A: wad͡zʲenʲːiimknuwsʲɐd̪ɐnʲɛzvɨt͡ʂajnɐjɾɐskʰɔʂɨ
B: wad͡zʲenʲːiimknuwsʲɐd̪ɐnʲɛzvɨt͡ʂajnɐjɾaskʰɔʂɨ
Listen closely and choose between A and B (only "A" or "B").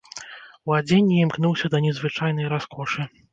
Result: B